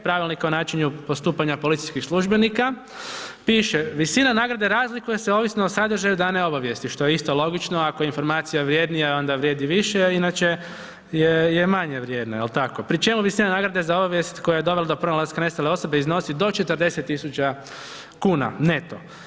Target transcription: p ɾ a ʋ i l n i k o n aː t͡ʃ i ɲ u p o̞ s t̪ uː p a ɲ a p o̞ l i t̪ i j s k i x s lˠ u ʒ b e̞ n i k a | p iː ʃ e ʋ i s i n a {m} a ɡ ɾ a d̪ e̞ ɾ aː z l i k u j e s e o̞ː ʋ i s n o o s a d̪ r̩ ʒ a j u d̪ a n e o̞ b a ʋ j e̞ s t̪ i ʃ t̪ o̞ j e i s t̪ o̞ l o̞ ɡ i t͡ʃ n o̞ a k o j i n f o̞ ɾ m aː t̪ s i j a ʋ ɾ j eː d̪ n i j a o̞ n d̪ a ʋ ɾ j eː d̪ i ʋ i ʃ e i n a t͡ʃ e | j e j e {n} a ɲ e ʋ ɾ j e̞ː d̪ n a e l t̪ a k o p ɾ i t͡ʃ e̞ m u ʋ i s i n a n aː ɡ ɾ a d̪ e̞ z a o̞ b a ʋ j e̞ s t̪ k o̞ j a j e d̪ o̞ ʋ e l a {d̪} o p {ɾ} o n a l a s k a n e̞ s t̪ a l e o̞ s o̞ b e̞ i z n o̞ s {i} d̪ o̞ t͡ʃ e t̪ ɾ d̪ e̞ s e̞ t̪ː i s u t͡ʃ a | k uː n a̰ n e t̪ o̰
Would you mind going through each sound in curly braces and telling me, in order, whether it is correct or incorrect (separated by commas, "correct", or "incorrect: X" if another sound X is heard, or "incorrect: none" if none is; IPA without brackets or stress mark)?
incorrect: n, incorrect: m, correct, correct, correct